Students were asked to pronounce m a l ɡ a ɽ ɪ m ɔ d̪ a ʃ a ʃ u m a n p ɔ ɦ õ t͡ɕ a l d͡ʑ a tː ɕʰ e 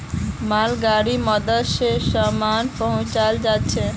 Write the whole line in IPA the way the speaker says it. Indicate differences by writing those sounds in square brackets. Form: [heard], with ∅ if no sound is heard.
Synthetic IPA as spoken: m a l ɡ a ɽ [i] m ɔ d̪ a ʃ [e] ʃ [ɔ] m a n p ɔ ɦ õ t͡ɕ a l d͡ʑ a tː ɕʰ e